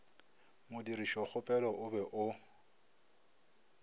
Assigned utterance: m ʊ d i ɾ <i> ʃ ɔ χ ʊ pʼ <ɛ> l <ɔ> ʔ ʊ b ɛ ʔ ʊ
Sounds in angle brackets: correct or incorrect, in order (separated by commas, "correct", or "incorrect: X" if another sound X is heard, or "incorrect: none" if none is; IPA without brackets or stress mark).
correct, correct, correct